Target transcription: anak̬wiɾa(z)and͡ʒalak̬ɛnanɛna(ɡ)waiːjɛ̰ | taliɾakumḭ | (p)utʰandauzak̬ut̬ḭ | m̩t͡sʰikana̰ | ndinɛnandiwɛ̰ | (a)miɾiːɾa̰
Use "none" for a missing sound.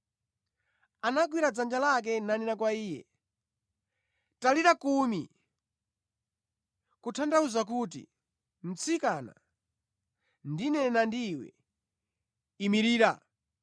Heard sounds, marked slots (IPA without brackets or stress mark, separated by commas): d͡z, k, k, i